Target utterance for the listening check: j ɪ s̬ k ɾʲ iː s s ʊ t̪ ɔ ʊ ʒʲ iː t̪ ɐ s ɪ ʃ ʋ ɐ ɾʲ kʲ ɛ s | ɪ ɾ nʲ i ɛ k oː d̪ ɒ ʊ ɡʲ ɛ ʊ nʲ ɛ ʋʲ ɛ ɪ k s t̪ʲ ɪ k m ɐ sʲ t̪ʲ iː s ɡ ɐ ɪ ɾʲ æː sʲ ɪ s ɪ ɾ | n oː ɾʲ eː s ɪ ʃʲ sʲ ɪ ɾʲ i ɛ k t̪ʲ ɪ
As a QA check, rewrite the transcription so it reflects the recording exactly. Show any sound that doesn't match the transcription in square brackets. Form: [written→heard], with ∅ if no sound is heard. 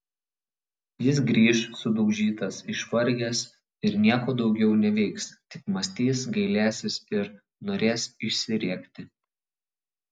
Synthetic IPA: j ɪ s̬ [k→ɡ] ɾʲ iː [s→ʃ] s ʊ [t̪→d̪] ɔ ʊ ʒʲ iː t̪ ɐ s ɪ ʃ ʋ ɐ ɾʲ [kʲ→ɡʲ] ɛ s | ɪ ɾ nʲ i ɛ k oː d̪ ɒ ʊ ɡʲ ɛ ʊ nʲ ɛ ʋʲ ɛ ɪ k s t̪ʲ ɪ k m ɐ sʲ t̪ʲ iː s ɡ ɐ ɪ [ɾʲ→lʲ] æː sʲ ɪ s ɪ ɾ | n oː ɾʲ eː s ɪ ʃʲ sʲ ɪ ɾʲ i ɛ k t̪ʲ ɪ